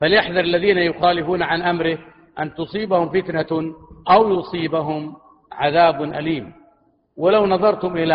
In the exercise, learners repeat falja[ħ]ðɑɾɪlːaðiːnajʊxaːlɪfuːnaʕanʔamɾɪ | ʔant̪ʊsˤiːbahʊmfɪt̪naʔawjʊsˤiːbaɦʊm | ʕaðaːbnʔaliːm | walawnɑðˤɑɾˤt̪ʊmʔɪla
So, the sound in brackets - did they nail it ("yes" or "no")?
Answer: yes